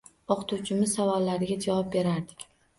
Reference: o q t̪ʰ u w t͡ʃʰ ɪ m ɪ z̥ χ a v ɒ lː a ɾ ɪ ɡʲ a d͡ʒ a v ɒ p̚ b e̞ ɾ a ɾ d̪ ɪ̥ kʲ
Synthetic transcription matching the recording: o q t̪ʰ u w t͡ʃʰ ɪ m ɪ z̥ s a v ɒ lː a ɾ ɪ ɡʲ a d͡ʒ a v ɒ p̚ b e̞ ɾ a ɾ d̪ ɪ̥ kʲ

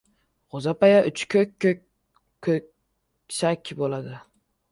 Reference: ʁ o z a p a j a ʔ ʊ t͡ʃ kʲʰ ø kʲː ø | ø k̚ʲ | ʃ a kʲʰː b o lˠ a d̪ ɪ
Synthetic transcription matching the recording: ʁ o z a p a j a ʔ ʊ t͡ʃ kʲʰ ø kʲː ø | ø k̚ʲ | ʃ a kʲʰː b o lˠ a d̪ ɪ

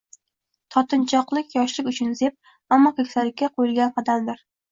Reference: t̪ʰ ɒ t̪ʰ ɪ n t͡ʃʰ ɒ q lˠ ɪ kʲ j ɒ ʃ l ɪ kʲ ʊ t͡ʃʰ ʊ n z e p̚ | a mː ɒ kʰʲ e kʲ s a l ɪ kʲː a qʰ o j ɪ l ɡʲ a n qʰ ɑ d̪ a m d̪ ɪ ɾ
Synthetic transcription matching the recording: t̪ʰ ɒ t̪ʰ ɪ n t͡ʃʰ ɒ q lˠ ɪ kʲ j ɒ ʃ l ɪ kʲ ʊ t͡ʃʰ ʊ n z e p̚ | a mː ɒ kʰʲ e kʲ s a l ɪ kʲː a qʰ o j ɪ l ɡʲ a n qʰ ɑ d̪ a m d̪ ɪ ɾ

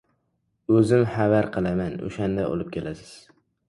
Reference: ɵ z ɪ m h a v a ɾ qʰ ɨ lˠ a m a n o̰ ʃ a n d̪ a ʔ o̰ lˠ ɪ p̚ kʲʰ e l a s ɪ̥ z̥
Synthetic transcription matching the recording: ɵ z ɪ m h a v a ɾ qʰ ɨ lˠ a m a n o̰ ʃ a n d̪ a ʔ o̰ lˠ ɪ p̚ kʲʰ e l a s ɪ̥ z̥

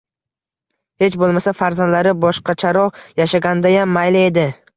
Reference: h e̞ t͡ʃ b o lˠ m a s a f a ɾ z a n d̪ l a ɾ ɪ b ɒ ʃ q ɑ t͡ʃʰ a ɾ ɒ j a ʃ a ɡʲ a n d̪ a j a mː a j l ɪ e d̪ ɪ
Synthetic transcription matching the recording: h e̞ t͡ʃ b o lˠ m a s a f a ɾ z a n d̪ l a ɾ ɪ b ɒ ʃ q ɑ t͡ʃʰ a ɾ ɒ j a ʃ a ɡʲ a n d̪ a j a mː a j l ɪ e d̪ ɪ

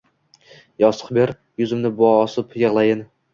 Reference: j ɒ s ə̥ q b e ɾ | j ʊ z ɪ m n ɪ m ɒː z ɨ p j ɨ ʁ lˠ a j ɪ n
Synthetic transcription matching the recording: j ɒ s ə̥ q b e ɾ | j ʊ z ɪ m n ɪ b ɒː s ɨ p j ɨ ʁ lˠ a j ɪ n

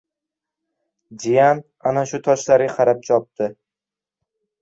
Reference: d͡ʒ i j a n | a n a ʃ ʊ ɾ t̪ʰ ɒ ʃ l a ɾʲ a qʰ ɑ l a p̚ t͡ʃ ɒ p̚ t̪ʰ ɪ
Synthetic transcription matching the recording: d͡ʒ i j a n | a n a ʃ ʊ t̪ʰ ɒ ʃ l a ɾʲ a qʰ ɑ ɾ a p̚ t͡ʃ ɒ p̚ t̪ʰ ɪ

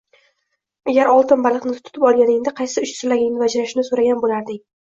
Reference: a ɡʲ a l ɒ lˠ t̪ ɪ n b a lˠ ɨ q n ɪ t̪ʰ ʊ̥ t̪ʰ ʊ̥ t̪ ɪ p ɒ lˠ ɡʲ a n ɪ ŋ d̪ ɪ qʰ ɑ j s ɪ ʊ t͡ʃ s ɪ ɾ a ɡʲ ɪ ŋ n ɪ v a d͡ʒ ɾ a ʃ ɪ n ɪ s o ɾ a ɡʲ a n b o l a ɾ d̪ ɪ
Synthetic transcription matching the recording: a ɡʲ a ɾ ɒ lˠ t̪ ɪ n b a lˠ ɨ q n ɪ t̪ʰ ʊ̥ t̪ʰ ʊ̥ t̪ ɪ p ɒ lˠ ɡʲ a n ɪ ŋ d̪ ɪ qʰ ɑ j s ɪ ʊ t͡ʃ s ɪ l a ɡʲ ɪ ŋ n ɪ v a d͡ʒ ɾ a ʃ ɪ n ɪ s o ɾ a ɡʲ a n b o l a ɾ d̪ ɪ

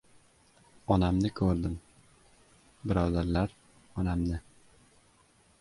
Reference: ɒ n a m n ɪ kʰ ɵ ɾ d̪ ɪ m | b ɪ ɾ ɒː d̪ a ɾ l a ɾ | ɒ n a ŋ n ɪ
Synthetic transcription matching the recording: ɒ n a m n ɪ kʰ ɵ ɾ d̪ ɪ m | b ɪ ɾ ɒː d̪ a ɾ l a ɾ | ɒ n a m n ɪ

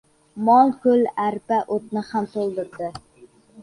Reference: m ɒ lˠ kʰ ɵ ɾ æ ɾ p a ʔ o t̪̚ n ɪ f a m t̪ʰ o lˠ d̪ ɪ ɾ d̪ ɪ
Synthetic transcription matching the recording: m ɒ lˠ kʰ ɵ l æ ɾ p a ʔ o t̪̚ n ɪ h a m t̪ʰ o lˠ d̪ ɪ ɾ d̪ ɪ

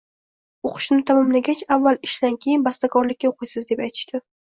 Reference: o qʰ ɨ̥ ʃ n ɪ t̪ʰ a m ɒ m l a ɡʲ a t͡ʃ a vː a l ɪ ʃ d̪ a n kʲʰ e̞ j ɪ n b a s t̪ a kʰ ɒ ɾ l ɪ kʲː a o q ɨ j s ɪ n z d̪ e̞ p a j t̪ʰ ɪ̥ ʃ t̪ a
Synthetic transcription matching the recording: o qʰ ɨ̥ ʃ n ɪ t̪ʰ a m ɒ m l a ɡʲ a t͡ʃ a vː a l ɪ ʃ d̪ a n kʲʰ e̞ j ɪ n b a s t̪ a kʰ ɒ ɾ l ɪ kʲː a o q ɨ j s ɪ z d̪ e̞ p a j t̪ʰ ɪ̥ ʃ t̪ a

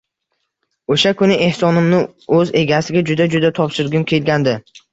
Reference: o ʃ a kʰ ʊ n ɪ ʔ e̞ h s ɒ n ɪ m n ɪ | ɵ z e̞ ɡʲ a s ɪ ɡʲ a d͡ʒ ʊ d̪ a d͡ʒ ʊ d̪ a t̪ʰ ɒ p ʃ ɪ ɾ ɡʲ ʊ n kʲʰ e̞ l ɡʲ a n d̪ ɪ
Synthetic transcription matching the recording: o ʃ a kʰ ʊ n ɪ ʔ e̞ h s ɒ n ɪ m n ɪ | ɵ z e̞ ɡʲ a s ɪ ɡʲ a d͡ʒ ʊ d̪ a d͡ʒ ʊ d̪ a t̪ʰ ɒ p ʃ ɪ ɾ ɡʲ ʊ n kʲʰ e̞ l ɡʲ a n d̪ ɪ

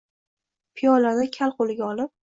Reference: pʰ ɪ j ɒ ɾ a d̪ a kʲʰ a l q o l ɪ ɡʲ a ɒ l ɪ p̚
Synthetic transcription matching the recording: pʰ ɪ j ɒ l a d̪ a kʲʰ a l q o l ɪ ɡʲ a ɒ l ɪ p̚

